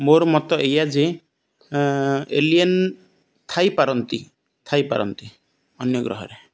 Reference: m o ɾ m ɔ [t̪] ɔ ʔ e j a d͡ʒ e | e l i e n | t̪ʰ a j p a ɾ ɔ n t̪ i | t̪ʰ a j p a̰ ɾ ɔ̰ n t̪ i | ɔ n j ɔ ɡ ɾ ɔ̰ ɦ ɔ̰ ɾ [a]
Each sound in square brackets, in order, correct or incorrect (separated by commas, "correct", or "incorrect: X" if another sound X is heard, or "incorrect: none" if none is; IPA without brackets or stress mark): correct, incorrect: e